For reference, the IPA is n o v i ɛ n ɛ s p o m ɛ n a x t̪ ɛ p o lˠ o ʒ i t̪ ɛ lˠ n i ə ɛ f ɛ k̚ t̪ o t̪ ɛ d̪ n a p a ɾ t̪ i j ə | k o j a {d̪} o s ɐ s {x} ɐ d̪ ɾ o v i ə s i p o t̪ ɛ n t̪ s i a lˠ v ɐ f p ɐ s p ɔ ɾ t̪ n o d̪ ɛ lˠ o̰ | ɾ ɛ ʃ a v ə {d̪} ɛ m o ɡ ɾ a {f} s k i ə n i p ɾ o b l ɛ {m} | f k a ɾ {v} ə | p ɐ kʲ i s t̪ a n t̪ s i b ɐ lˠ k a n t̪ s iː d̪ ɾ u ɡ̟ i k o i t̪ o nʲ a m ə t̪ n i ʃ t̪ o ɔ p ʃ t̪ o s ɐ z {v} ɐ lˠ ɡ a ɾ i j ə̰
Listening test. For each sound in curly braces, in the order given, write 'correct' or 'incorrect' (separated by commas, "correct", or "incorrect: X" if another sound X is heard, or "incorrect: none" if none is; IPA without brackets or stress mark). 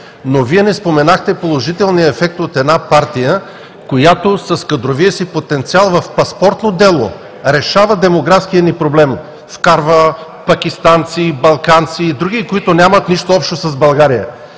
incorrect: t̪, incorrect: k, correct, correct, correct, correct, incorrect: b